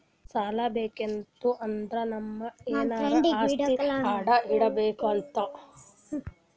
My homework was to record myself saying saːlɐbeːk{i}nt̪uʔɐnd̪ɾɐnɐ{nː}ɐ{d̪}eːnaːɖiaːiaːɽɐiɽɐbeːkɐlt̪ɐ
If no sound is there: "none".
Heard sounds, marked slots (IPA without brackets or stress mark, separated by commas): e, mː, none